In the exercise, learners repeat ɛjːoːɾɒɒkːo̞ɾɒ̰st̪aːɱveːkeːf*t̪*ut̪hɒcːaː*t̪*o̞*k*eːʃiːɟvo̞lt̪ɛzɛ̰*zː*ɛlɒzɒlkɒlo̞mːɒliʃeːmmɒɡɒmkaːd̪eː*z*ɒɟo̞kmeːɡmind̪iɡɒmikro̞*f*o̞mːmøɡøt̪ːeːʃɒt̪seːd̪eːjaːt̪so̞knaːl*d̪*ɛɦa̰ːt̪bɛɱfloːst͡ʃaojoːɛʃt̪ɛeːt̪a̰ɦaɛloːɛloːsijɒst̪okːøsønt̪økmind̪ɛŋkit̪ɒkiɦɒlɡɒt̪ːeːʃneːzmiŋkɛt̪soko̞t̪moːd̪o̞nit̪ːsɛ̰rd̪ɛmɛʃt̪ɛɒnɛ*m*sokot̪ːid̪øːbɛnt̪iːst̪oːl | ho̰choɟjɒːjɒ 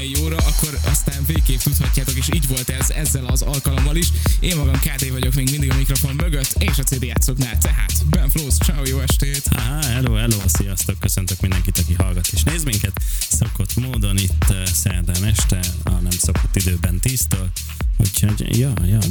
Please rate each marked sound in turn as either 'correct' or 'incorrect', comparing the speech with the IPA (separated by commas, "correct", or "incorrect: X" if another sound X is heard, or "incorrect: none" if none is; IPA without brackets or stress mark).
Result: correct, correct, correct, correct, incorrect: v, correct, incorrect: t̪, correct